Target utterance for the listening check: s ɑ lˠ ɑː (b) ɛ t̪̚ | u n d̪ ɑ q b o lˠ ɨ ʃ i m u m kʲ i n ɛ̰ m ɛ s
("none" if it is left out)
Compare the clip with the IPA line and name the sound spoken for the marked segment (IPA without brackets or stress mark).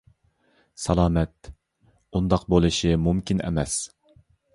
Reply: m